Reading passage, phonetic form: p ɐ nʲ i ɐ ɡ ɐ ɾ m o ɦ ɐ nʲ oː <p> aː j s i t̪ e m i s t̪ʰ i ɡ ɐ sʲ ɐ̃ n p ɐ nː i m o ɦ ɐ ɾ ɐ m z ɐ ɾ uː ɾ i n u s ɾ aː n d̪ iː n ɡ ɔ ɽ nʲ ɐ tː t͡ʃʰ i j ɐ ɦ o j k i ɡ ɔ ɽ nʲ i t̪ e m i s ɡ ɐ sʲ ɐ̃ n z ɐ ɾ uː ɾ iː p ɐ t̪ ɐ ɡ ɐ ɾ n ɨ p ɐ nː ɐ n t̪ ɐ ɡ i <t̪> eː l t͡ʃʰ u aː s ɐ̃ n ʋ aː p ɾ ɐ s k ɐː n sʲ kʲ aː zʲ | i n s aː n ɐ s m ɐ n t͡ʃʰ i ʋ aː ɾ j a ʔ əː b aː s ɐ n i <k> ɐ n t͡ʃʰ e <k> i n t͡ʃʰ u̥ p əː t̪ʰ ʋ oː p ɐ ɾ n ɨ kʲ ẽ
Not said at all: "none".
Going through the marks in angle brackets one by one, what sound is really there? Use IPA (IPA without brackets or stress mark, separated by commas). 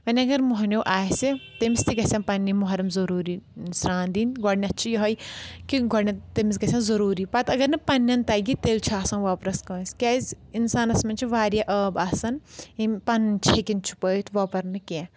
ʔ, t̪, p, k